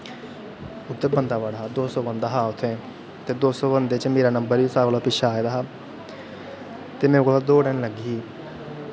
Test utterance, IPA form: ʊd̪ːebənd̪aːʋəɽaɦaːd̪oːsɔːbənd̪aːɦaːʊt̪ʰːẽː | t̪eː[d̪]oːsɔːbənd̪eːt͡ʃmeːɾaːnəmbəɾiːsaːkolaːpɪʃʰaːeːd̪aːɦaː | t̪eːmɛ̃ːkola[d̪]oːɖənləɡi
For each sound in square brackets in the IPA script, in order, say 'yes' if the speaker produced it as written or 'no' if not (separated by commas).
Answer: yes, yes